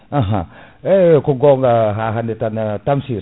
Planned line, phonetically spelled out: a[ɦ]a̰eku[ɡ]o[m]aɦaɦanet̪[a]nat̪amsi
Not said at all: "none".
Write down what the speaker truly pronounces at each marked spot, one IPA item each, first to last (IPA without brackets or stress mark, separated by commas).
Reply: ɦ, ɡ, ŋ, a